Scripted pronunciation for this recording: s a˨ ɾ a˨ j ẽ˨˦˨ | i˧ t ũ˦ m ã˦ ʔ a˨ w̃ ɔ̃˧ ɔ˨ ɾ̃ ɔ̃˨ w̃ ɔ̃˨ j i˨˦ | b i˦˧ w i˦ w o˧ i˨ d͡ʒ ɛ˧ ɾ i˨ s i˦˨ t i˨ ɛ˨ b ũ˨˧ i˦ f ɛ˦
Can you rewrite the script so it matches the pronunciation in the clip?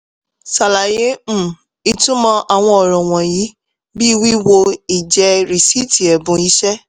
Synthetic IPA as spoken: s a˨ l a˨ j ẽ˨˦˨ | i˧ t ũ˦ m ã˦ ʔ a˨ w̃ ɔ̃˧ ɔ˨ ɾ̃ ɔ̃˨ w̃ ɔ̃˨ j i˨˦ | b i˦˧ w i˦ w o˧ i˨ d͡ʒ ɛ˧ ɾ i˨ s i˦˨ t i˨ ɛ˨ b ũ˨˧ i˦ ʃ ɛ˦